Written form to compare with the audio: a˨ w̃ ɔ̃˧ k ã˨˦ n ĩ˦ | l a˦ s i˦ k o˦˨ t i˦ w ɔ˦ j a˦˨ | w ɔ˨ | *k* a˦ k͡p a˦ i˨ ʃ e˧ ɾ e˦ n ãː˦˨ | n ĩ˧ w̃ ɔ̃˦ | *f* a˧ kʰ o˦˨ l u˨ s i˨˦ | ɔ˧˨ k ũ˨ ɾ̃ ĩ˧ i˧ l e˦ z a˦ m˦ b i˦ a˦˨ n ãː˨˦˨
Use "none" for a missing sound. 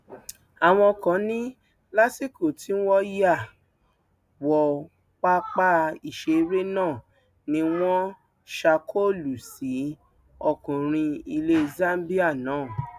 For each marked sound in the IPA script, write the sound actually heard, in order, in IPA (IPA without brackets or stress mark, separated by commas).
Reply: k͡p, ʃ